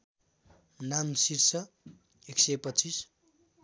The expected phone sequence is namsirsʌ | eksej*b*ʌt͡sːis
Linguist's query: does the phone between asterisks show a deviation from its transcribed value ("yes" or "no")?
yes